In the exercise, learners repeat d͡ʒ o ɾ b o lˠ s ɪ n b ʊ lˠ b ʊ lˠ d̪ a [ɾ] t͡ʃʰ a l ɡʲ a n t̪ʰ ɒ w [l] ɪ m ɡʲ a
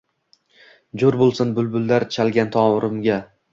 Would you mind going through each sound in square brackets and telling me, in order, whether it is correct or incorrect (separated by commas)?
correct, incorrect